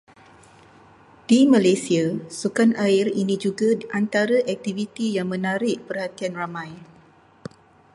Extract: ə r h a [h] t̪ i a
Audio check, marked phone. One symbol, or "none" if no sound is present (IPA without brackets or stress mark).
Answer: none